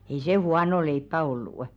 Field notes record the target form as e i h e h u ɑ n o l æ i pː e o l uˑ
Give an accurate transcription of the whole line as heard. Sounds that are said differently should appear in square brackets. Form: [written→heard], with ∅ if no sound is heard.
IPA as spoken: e i [h→s] e h u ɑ n o l [æ→e] i pː [e→æ] o [l→lː] uˑ